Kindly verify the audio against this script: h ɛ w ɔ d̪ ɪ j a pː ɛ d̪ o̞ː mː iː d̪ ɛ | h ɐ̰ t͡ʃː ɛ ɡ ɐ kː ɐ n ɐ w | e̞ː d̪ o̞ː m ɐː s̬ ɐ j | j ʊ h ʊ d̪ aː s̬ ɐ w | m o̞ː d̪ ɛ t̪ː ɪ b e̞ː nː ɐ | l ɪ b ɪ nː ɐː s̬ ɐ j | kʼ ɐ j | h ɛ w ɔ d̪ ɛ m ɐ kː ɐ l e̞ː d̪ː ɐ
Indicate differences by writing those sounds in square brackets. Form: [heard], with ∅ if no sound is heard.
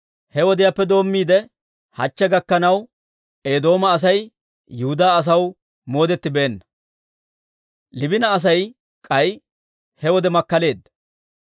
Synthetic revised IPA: h ɛ w ɔ d̪ ɪ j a pː ɛ d̪ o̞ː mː iː d̪ ɛ | h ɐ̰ t͡ʃː ɛ ɡ ɐ kː ɐ n ɐ w | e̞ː d̪ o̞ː m ɐː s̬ ɐ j | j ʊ h ʊ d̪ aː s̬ ɐ w | m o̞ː d̪ ɛ t̪ː ɪ b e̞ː nː ɐ | l ɪ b ɪ [n] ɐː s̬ ɐ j | kʼ ɐ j | h ɛ w ɔ d̪ ɛ m ɐ kː ɐ l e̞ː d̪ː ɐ